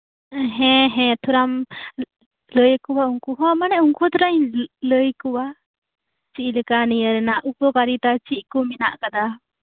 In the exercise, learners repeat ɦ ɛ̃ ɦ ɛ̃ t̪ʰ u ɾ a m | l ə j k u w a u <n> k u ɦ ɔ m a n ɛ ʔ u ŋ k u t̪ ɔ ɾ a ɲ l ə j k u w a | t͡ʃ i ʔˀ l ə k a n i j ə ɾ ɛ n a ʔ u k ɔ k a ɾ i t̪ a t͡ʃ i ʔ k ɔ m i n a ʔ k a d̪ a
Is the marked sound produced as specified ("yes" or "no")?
no